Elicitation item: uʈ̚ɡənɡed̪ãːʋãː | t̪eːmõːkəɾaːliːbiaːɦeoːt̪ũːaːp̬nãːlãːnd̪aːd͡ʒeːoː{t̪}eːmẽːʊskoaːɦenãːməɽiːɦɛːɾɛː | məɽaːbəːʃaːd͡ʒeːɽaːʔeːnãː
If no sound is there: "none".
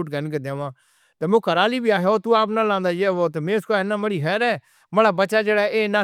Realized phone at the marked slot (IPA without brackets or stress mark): t̪